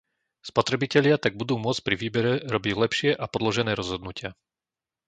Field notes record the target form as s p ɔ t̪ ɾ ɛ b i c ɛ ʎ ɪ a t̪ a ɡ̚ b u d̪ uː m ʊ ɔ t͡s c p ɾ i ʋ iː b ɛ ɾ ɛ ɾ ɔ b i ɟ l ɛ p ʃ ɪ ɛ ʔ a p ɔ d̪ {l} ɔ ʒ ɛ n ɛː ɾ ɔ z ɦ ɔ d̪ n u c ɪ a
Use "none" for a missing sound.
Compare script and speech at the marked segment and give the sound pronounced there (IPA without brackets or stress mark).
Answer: l